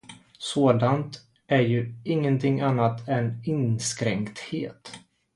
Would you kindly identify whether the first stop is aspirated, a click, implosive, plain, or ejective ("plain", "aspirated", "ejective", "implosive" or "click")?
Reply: plain